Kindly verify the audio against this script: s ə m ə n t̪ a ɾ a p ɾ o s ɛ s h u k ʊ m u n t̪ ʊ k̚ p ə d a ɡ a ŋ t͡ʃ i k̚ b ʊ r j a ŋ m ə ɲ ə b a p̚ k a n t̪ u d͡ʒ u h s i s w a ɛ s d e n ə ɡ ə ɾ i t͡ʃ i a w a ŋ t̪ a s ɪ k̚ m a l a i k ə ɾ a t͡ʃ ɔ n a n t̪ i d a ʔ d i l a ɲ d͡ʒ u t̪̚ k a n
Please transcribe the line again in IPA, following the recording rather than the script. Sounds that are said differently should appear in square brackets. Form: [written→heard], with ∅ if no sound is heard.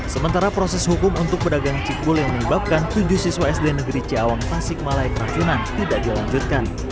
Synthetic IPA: s ə m ə n t̪ a ɾ a p ɾ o s ɛ s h u k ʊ m u n t̪ ʊ k̚ p ə d a ɡ a ŋ t͡ʃ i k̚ b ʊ [r→l] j a ŋ m ə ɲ ə b a p̚ k a n t̪ u d͡ʒ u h s i s w a ɛ s d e n ə ɡ ə ɾ i t͡ʃ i a w a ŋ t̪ a s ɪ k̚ m a l a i k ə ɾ a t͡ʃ [ɔ→u] n a n t̪ i d a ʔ d i l a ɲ d͡ʒ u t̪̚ k a n